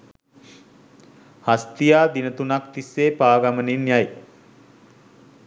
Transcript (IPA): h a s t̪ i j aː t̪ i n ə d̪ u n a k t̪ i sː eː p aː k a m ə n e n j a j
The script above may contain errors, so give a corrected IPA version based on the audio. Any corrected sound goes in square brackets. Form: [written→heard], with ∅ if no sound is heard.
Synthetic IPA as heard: h a s t̪ i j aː [t̪→d̪] i n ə [d̪→t̪] u n a k t̪ i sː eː p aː [k→ɡ] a m ə n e n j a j